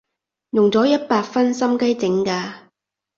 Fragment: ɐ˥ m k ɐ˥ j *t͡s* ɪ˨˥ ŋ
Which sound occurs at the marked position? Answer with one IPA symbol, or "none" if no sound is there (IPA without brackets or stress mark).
t͡s